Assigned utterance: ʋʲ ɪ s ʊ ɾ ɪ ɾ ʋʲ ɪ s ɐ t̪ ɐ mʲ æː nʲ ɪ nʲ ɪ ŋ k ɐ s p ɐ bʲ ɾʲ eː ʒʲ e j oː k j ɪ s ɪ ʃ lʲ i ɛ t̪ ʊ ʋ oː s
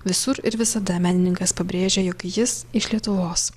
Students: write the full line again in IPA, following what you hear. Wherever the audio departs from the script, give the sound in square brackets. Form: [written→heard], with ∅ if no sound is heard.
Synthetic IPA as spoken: ʋʲ ɪ s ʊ ɾ ɪ ɾ ʋʲ ɪ s ɐ [t̪→d̪] ɐ mʲ æː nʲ ɪ nʲ ɪ ŋ k ɐ s p ɐ bʲ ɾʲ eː ʒʲ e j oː k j ɪ s ɪ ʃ lʲ i ɛ t̪ ʊ ʋ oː s